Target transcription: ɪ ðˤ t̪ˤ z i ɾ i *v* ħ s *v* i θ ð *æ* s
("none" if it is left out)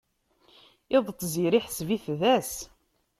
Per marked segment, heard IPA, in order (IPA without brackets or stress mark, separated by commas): none, v, æ